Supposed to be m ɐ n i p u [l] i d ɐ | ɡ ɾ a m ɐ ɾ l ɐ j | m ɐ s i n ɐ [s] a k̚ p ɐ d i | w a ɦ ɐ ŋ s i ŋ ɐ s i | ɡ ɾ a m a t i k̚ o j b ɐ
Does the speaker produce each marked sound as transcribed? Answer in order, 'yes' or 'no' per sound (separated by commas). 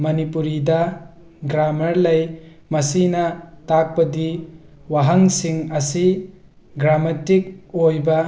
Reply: no, no